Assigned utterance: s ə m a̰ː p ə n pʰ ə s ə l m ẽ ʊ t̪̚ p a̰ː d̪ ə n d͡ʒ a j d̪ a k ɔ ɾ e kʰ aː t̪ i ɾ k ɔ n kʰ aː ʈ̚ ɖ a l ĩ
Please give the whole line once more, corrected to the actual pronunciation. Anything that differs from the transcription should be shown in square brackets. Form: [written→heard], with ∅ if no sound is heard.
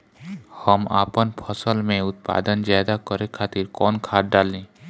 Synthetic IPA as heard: [s→h] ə m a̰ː p ə n pʰ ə s ə l m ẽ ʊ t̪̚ p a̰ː d̪ ə n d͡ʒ a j d̪ a k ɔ ɾ e kʰ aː t̪ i ɾ k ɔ n kʰ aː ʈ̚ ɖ a l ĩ